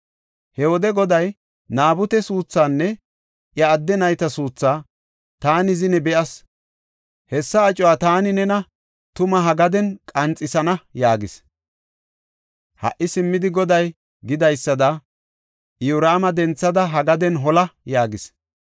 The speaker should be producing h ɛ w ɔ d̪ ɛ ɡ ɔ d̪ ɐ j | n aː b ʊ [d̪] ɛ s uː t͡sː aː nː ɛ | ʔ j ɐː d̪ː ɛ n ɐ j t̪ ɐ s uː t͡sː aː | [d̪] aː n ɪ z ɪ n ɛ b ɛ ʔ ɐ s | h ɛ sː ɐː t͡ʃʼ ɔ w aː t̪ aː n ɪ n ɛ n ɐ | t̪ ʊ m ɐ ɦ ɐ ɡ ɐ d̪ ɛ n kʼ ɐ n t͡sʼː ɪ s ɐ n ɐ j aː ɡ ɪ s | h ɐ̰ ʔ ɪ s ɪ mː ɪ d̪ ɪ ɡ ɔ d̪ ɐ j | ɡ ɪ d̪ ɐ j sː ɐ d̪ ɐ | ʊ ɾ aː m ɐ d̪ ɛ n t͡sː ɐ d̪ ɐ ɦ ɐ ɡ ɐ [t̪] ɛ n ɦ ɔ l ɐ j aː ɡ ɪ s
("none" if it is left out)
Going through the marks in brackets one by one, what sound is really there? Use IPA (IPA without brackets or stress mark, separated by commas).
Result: t̪, t̪, d̪